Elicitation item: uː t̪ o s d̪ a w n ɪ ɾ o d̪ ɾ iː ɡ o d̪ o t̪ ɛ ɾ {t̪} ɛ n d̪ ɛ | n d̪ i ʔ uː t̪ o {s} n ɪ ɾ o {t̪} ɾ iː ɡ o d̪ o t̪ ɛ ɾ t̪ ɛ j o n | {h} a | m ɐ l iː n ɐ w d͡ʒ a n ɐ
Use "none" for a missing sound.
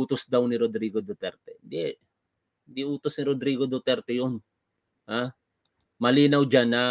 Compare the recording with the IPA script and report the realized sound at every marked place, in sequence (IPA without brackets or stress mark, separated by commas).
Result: t̪, s, d̪, h